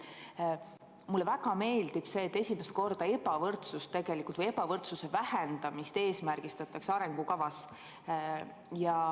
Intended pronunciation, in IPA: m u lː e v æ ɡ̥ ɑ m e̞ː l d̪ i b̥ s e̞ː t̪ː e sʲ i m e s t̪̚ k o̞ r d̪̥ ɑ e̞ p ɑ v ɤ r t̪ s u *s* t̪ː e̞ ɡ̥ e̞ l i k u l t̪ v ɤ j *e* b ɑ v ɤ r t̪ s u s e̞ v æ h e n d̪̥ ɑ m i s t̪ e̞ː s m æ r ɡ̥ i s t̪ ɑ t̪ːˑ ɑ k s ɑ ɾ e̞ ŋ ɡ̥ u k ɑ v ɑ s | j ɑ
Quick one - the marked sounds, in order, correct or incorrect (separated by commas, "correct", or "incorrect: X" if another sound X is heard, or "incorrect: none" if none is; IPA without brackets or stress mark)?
correct, correct